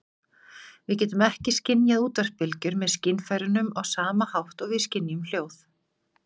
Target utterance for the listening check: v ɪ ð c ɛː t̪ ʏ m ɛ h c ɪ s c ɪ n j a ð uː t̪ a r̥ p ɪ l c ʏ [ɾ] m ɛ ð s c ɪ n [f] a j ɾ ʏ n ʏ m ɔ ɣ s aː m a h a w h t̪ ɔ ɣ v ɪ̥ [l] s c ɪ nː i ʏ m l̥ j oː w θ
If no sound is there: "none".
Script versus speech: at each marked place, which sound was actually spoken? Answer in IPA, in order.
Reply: ɾ, f, none

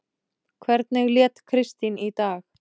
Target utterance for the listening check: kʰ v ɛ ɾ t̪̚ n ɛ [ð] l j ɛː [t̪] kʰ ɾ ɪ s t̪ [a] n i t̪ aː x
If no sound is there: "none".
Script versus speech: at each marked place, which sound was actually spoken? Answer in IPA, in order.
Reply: ɣ, t̪, i

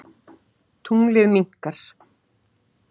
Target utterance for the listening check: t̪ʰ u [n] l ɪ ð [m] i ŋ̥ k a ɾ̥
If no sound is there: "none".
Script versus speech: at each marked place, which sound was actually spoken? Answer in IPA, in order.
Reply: ŋ, m

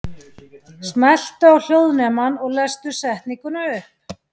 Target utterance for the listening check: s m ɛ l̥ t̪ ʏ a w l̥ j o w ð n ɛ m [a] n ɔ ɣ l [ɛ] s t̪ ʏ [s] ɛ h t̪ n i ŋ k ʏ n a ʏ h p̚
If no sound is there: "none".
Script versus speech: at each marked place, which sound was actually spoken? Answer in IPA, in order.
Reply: a, ɛ, s

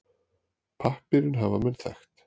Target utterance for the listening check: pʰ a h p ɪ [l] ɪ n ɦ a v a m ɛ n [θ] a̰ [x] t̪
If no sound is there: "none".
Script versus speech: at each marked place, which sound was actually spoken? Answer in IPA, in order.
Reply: ɾ, θ, x

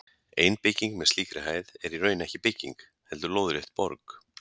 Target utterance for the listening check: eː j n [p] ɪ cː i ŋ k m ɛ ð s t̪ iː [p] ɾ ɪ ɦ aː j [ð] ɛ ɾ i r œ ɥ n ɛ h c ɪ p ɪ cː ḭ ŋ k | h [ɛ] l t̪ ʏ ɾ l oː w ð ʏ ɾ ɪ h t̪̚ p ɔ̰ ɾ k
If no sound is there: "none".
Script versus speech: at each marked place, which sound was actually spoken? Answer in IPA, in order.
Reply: p, k, ð, ɛ

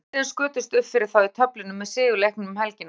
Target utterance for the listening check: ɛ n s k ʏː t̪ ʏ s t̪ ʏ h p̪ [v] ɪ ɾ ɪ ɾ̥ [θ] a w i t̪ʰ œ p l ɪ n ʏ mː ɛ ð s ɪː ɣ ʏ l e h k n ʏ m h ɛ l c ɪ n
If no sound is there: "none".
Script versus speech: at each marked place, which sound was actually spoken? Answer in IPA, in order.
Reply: f, θ

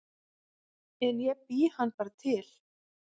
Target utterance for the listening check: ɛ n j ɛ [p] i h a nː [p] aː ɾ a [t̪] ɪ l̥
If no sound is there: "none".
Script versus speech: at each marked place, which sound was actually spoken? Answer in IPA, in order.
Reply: p, p, t̪ʰ

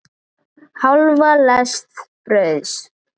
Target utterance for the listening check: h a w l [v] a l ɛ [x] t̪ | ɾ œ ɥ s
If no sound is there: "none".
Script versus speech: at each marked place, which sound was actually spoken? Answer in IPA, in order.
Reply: v, s

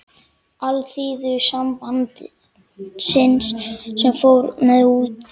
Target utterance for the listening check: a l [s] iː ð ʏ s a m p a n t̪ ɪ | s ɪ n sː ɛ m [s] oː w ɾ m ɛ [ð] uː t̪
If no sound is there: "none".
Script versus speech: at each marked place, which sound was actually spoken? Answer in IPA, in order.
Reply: θ, f, ð

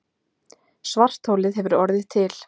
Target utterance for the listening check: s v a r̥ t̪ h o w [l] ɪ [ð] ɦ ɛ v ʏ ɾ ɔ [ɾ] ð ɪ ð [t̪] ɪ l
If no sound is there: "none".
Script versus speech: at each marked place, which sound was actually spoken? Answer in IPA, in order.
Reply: l, ð, ɾ, t̪ʰ

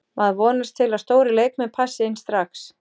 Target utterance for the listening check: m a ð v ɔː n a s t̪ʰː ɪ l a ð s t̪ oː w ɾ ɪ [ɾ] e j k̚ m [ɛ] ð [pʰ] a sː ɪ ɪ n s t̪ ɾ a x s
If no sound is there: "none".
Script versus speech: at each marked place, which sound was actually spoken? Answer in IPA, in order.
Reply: l, ɛ, pʰ

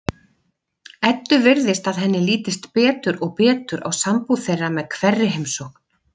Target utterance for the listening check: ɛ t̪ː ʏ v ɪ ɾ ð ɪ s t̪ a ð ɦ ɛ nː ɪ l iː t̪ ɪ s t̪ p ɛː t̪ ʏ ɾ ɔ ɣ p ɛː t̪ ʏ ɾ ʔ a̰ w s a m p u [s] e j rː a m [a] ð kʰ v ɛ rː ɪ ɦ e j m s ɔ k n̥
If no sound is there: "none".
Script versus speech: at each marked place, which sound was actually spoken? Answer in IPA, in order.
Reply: θ, ɛ

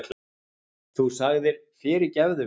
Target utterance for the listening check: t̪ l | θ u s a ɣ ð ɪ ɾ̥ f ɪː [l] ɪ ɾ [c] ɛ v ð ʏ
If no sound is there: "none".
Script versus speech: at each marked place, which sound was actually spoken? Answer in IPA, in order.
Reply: ɾ, c

